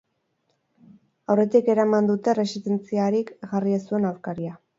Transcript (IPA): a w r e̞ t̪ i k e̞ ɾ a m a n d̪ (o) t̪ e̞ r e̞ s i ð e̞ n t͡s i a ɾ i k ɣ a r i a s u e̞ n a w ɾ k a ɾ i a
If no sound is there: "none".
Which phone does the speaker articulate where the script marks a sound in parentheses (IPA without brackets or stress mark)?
u